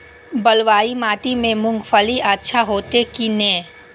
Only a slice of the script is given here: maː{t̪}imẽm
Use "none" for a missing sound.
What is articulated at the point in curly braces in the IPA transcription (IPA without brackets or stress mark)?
t̪